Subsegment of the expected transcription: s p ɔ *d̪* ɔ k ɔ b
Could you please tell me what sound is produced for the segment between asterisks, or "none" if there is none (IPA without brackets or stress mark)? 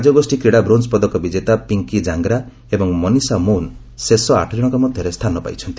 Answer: d̪